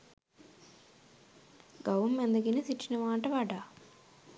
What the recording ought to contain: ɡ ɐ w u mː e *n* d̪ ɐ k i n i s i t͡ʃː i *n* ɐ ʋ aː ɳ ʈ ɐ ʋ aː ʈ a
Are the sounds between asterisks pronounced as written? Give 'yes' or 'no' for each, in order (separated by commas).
yes, yes